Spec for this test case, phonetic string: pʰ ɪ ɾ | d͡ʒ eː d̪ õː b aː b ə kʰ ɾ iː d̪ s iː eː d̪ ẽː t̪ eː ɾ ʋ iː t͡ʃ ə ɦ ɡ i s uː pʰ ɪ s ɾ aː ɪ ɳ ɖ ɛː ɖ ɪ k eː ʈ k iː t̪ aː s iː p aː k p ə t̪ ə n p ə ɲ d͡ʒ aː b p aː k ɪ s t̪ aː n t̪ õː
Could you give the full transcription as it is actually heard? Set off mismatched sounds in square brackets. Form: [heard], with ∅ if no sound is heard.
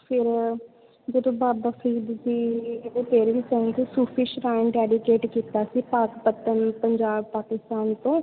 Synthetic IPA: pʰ ɪ ɾ | d͡ʒ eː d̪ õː b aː b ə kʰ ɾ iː d̪ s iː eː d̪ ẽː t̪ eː ɾ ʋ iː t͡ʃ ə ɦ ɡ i s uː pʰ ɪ [ʃ] ɾ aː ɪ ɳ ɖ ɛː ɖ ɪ k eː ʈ k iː t̪ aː s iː p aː k p ə t̪ ə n p ə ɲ d͡ʒ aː b p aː k ɪ s t̪ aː n t̪ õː

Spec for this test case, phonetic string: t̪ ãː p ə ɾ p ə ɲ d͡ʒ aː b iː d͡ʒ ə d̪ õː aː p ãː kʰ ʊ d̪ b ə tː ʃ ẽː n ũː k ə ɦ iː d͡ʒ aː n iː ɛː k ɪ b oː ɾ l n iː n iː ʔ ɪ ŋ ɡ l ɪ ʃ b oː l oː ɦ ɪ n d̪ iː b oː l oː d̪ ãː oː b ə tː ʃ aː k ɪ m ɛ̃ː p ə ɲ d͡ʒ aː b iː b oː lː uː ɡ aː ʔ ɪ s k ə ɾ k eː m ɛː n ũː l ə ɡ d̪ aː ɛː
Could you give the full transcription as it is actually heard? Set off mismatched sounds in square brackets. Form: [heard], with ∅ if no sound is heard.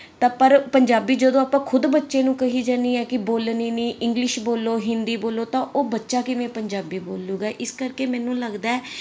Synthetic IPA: t̪ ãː p ə ɾ p ə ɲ d͡ʒ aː b iː d͡ʒ ə d̪ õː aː p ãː kʰ ʊ d̪ b ə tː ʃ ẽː n ũː k ə ɦ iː d͡ʒ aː n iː ɛː k ɪ b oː [∅] l n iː n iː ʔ ɪ ŋ ɡ l ɪ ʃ b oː l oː ɦ ɪ n d̪ iː b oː l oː [t̪] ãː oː b ə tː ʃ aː k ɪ m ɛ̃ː p ə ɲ d͡ʒ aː b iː b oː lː uː ɡ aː ʔ ɪ s k ə ɾ k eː m ɛː n ũː l ə ɡ d̪ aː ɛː

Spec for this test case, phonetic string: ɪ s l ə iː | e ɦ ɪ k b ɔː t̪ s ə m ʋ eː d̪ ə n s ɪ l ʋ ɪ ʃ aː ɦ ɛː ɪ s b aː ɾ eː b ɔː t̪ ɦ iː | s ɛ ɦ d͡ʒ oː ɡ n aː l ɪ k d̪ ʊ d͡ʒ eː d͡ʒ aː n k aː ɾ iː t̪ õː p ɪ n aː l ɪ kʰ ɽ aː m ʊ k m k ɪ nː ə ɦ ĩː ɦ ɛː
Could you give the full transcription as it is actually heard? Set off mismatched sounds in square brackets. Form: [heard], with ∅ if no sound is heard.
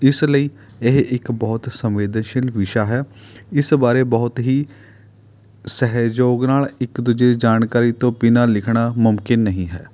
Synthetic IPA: ɪ s l ə iː | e ɦ ɪ k b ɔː t̪ s ə m ʋ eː d̪ ə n [ʃ] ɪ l ʋ ɪ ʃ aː ɦ ɛː ɪ s b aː ɾ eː b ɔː t̪ ɦ iː | s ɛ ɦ d͡ʒ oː ɡ n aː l ɪ k d̪ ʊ d͡ʒ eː d͡ʒ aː n k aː ɾ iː t̪ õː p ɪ n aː l ɪ kʰ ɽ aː m ʊ [∅] m k ɪ nː ə ɦ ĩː ɦ ɛː

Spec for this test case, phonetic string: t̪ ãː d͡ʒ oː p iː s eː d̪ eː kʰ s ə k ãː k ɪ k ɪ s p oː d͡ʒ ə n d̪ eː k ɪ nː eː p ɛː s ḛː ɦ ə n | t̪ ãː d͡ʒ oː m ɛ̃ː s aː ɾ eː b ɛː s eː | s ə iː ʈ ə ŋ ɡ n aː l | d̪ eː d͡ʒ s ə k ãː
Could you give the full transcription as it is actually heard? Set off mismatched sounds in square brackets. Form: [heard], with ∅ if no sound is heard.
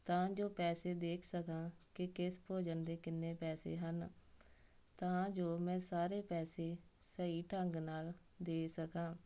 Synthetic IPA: t̪ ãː d͡ʒ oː p [ɛː] s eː d̪ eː kʰ s ə k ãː k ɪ k ɪ s p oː d͡ʒ ə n d̪ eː k ɪ nː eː p ɛː s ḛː ɦ ə n | t̪ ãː d͡ʒ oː m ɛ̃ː s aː ɾ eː [p] ɛː s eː | s ə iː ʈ ə ŋ ɡ n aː l | d̪ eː [∅] s ə k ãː

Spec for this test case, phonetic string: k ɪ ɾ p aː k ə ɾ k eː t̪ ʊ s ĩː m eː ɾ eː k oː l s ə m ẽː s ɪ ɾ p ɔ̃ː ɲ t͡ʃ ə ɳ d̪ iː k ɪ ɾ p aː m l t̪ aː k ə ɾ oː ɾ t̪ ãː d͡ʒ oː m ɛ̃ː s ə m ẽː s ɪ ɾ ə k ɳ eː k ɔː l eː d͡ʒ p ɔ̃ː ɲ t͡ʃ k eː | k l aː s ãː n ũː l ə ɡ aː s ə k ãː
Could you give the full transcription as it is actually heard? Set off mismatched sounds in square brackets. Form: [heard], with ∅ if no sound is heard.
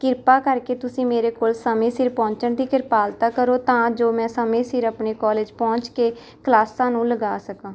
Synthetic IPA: k ɪ ɾ p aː k ə ɾ k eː t̪ ʊ s ĩː m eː ɾ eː k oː l s ə m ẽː s ɪ ɾ p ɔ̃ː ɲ t͡ʃ ə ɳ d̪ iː k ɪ ɾ p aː [∅] l t̪ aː k ə ɾ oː [∅] t̪ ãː d͡ʒ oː m ɛ̃ː s ə m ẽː s ɪ ɾ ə [p] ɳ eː k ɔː l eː d͡ʒ p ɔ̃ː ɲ t͡ʃ k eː | k l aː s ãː n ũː l ə ɡ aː s ə k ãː

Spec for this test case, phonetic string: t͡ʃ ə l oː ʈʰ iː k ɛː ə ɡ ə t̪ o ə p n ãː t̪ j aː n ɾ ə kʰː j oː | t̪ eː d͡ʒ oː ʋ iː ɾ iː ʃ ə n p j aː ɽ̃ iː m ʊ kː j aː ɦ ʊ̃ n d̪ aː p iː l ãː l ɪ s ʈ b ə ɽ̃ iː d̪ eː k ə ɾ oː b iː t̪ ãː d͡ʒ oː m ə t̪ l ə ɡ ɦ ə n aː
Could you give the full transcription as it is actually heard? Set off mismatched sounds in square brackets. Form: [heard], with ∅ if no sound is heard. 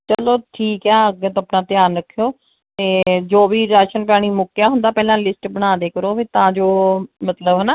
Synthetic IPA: t͡ʃ ə l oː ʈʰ iː k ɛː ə ɡ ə t̪ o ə p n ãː t̪ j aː n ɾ ə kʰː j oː | t̪ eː d͡ʒ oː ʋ iː ɾ [aː] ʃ ə n p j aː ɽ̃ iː m ʊ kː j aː ɦ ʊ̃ n d̪ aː p [ɛː] l ãː l ɪ s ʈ b ə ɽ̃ [aː] d̪ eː k ə ɾ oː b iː t̪ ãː d͡ʒ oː m ə t̪ l ə [b] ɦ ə n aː

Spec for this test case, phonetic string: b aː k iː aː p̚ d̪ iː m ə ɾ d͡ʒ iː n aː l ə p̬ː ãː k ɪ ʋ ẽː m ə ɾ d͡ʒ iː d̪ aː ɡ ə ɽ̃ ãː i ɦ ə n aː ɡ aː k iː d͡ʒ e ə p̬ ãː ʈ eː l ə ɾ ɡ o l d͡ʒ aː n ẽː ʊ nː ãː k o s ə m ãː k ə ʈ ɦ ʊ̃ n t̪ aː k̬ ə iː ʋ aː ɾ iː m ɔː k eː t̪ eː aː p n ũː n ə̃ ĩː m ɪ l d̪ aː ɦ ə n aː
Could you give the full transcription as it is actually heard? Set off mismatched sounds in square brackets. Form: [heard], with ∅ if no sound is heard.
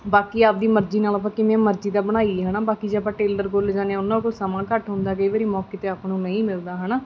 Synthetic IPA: b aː k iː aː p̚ d̪ iː m ə ɾ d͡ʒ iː n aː l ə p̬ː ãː k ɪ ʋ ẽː m ə ɾ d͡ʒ iː d̪ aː [b] ə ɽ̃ [aː] i ɦ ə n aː [b] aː k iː d͡ʒ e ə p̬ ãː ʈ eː l ə ɾ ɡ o l d͡ʒ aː n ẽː ʊ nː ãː k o s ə m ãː k ə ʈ ɦ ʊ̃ n [d̪] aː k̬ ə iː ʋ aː ɾ iː m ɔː k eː t̪ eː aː p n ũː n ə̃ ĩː m ɪ l d̪ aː ɦ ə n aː

